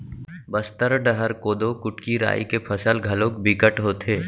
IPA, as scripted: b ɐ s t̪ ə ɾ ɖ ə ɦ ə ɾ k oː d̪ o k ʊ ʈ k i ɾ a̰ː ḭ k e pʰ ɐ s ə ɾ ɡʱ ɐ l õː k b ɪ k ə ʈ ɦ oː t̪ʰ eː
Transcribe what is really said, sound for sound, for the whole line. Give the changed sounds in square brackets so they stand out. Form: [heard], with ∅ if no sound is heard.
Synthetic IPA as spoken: b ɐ s t̪ ə ɾ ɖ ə ɦ ə ɾ k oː d̪ o k ʊ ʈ k i ɾ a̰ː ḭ k e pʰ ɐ s ə [l] ɡʱ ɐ l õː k b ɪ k ə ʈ ɦ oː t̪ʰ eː